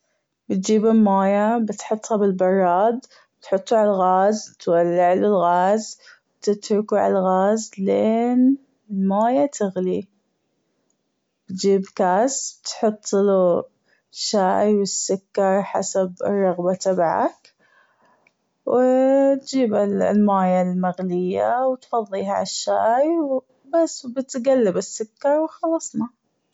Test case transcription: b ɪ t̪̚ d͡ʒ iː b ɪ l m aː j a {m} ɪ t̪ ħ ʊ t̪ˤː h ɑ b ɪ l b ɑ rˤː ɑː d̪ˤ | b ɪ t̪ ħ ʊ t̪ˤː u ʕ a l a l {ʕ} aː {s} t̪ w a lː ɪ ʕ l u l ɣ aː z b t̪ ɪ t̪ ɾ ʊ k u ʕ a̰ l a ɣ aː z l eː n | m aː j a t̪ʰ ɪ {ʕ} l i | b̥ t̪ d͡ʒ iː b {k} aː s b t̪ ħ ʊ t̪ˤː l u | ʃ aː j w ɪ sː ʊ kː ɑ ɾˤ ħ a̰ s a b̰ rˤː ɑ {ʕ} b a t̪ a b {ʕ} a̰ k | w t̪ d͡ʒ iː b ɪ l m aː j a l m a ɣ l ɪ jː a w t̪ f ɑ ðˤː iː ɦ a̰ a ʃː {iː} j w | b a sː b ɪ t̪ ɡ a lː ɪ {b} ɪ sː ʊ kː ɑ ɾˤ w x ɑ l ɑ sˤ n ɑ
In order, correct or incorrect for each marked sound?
incorrect: b, incorrect: ɣ, incorrect: z, incorrect: ɣ, correct, incorrect: ɣ, correct, incorrect: aː, correct

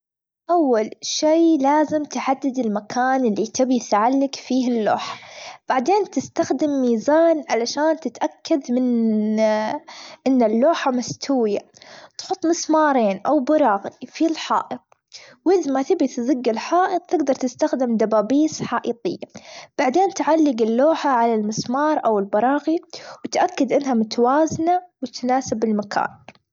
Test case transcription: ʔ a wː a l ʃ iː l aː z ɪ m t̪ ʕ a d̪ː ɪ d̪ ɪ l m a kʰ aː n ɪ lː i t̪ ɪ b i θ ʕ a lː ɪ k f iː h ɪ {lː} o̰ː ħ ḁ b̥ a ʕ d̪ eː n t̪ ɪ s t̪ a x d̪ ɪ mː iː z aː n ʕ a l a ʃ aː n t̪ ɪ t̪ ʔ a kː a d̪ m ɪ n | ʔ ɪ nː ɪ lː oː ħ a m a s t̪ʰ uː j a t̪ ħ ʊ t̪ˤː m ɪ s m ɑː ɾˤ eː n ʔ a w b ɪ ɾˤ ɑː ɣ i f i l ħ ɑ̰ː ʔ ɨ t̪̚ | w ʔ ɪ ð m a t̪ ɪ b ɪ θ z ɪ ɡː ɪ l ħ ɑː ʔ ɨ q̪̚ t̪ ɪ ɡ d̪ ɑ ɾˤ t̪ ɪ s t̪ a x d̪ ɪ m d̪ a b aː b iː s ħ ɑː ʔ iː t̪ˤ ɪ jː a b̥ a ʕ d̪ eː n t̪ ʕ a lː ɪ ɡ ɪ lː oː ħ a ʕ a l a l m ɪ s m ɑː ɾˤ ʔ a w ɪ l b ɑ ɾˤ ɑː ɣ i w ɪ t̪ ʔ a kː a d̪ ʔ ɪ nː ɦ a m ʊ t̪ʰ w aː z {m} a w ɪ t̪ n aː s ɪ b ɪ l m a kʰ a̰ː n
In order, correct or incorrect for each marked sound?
correct, incorrect: n

